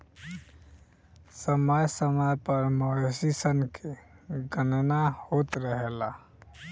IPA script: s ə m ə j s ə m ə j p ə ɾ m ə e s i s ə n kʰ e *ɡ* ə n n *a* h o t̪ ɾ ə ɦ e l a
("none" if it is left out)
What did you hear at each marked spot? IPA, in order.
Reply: ɡ, a

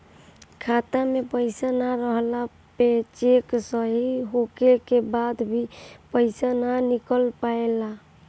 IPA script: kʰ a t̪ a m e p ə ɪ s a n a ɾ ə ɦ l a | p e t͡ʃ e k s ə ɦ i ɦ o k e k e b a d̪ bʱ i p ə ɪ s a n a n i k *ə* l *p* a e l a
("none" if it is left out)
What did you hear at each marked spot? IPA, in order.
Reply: ə, p

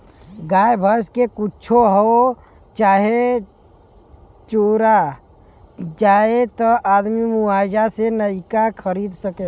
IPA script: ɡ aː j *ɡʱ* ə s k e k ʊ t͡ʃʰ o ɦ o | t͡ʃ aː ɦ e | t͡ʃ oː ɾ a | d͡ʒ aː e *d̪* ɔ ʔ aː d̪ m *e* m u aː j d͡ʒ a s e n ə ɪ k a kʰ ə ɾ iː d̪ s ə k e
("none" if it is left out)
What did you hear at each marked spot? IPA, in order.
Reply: bʱ, t̪, i

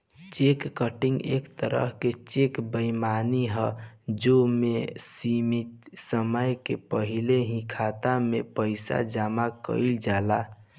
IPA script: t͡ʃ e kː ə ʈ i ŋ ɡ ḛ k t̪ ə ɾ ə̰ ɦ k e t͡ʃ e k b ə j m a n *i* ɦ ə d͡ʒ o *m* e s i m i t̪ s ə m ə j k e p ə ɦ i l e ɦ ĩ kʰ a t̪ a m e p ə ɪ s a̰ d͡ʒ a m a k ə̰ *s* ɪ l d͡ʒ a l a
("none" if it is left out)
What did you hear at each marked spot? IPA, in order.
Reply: i, m, none

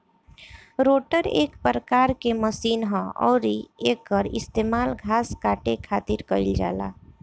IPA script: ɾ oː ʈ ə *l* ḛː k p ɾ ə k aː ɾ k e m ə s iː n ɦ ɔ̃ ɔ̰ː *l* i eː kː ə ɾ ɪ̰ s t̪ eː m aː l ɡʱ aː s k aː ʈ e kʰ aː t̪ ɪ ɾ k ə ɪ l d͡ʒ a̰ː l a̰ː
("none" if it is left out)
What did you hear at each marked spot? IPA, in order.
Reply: ɾ, ɾ

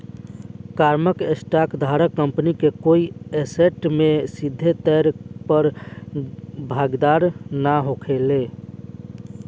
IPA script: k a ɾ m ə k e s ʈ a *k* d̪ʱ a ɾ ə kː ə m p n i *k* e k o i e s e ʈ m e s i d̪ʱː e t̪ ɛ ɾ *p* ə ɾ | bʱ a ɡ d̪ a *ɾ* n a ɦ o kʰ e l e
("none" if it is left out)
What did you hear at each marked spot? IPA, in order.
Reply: k, k, p, ɾ

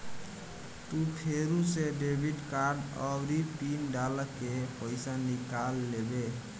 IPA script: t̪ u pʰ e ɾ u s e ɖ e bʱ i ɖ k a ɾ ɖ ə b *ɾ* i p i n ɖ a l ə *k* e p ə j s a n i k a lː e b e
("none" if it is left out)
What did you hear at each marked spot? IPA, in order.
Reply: ɾ, k

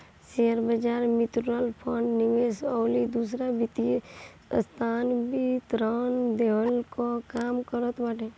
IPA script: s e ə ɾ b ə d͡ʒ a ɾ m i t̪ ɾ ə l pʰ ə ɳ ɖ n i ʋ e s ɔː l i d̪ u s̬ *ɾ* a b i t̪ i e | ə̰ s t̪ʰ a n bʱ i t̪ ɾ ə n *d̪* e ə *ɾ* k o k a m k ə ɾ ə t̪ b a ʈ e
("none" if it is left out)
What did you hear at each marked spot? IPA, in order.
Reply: ɾ, d̪, l

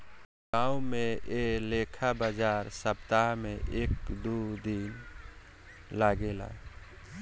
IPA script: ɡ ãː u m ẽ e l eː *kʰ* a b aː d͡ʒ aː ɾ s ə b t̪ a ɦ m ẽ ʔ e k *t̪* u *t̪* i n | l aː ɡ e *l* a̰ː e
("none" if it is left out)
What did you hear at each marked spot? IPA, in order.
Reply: kʰ, d̪, d̪, l

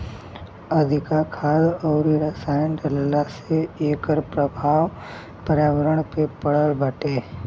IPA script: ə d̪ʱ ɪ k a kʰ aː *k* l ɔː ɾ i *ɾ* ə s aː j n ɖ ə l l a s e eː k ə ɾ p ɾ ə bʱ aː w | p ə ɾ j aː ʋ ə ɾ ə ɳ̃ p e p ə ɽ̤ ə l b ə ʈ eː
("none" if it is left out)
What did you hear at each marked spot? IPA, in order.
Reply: none, ɾ

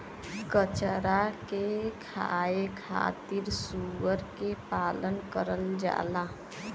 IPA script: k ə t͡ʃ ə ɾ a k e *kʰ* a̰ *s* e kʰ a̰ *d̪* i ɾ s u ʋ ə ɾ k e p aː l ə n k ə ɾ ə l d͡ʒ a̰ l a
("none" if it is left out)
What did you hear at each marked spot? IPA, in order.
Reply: kʰ, none, t̪

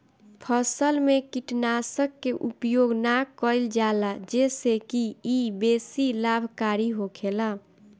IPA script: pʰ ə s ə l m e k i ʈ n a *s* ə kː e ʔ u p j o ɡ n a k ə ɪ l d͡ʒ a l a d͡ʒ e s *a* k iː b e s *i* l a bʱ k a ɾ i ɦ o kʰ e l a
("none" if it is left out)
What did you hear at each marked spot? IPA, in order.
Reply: s, e, i

